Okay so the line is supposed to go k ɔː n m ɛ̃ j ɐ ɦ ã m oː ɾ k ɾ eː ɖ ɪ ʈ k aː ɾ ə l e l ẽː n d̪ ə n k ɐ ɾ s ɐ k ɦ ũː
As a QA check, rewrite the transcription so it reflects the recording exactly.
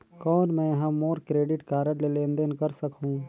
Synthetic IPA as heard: k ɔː n m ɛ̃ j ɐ ɦ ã m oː ɾ k ɾ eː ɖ ɪ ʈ k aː ɾ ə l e l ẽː n d̪ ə n k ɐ ɾ s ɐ k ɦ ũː